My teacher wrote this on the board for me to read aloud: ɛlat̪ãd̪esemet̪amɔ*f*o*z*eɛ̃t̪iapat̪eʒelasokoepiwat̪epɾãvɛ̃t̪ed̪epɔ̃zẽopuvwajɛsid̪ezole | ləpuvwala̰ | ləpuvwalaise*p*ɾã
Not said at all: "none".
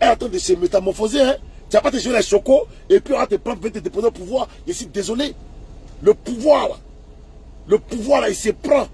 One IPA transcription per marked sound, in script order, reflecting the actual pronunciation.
f, z, p

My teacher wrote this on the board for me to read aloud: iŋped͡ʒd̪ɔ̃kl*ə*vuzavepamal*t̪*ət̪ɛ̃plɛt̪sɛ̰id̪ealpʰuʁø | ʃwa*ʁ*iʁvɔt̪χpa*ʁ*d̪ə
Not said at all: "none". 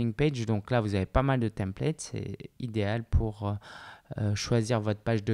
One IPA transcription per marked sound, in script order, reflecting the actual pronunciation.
a, d̪, z, ʒ

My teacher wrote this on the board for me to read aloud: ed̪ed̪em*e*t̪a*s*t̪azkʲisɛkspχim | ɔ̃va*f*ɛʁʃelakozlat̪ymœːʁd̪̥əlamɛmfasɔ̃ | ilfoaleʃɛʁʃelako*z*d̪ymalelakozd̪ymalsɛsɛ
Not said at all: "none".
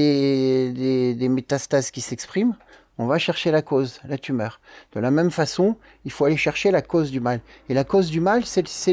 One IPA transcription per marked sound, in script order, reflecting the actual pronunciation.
e, s, ʃ, z

